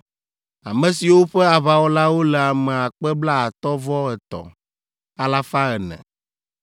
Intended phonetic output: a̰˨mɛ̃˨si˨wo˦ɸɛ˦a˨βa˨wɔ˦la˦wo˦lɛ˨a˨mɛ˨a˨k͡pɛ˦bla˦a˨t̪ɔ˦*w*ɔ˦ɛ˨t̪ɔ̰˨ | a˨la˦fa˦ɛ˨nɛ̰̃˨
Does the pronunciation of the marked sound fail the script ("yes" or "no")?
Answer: yes